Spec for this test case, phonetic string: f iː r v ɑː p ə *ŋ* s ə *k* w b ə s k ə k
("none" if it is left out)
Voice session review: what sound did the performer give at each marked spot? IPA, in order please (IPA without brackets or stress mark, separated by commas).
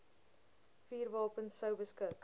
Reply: n, none